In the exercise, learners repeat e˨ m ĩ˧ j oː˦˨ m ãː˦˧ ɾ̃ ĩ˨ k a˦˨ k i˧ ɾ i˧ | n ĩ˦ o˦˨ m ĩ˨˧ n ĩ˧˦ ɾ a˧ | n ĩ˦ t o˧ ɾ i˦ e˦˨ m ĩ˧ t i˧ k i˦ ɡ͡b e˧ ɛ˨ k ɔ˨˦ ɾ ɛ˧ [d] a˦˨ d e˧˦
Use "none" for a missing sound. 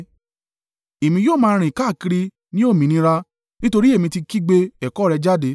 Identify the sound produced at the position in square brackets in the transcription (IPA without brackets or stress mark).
d͡ʒ